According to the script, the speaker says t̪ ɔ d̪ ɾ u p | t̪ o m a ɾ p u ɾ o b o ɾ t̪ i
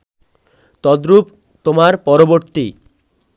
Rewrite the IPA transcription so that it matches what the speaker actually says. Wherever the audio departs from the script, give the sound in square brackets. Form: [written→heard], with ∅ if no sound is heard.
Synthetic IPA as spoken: t̪ ɔ d̪ ɾ u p | t̪ o m a ɾ p [u→ɔ] ɾ o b o ɾ t̪ i